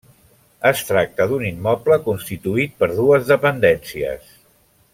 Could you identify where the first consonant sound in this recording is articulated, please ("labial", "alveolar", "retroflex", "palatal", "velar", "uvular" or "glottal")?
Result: alveolar